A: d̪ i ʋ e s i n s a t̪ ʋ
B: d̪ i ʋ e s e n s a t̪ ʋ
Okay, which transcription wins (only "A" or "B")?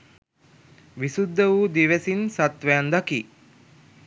A